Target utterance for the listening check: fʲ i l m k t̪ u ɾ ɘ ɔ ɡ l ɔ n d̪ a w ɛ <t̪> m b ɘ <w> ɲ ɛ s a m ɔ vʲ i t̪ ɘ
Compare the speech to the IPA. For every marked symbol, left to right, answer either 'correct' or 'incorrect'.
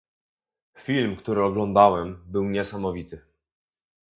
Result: incorrect, correct

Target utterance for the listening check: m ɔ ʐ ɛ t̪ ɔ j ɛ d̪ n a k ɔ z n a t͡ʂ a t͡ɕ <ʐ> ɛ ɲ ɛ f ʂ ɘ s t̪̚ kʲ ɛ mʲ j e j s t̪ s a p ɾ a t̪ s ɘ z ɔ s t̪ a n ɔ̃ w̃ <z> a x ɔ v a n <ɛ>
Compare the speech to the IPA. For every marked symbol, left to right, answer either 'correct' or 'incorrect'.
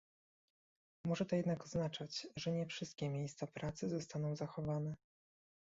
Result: correct, correct, correct

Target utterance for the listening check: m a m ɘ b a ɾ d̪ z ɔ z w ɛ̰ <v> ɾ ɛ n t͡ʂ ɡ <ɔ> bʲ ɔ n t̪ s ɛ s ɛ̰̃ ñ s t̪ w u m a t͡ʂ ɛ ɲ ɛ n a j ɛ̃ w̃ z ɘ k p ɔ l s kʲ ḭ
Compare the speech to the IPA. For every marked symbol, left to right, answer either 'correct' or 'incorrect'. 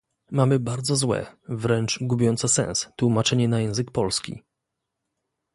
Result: correct, incorrect

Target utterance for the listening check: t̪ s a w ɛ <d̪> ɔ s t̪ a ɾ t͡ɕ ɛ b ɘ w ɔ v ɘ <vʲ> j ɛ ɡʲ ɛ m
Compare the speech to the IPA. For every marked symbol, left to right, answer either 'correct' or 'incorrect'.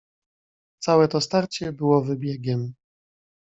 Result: incorrect, incorrect

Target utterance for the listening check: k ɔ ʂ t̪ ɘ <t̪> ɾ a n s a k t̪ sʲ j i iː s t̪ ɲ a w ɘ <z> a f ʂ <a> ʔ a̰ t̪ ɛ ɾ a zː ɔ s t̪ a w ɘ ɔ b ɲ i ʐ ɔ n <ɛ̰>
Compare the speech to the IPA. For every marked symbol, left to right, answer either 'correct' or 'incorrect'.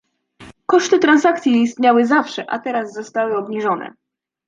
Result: correct, correct, incorrect, correct

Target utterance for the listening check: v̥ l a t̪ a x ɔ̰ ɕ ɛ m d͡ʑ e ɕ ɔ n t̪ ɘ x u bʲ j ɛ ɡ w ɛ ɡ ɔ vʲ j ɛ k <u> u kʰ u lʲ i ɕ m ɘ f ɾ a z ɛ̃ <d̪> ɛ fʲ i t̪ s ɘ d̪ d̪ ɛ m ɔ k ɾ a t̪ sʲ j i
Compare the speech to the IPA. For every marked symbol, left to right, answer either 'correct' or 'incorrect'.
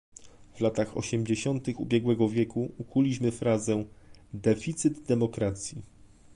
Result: correct, correct

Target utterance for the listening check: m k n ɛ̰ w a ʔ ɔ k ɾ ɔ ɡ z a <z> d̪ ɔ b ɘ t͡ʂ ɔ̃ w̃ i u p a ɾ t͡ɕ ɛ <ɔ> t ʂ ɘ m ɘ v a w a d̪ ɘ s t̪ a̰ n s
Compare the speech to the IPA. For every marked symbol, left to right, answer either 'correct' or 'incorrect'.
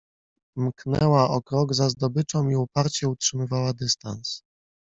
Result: correct, incorrect

